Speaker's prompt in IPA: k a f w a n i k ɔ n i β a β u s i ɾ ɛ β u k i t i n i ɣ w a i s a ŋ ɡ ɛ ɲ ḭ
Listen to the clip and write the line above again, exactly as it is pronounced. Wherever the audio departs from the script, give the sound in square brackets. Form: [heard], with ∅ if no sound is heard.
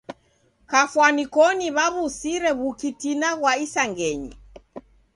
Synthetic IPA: k a f w a n i k ɔ n i β a β u s i ɾ ɛ β u k i t i n [a] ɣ w a i s a ŋ ɡ ɛ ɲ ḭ